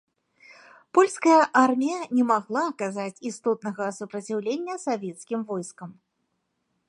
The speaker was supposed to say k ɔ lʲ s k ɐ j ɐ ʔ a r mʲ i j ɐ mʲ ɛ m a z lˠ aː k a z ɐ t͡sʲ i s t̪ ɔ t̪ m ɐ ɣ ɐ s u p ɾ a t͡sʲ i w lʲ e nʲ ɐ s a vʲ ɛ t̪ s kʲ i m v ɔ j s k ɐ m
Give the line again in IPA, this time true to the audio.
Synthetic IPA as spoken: p ɔ lʲ s k ɐ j ɐ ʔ a r mʲ i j ɐ nʲ ɛ m a ɣ lˠ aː k a z a t͡sʲ i s t̪ ɔ t̪ n ɐ ɣ ɐ s u p ɾ ɐ t͡sʲ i w lʲ e nʲː ɐ s a vʲ ɛ t̪ s kʲ i m v ɔ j s k ɐ m